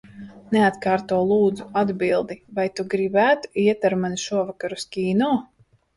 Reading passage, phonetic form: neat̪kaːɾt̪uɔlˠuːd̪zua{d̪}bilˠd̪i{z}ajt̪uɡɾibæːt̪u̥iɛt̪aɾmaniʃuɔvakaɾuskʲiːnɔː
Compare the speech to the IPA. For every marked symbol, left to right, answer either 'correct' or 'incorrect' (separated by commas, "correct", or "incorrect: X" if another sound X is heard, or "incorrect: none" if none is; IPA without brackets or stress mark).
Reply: correct, incorrect: v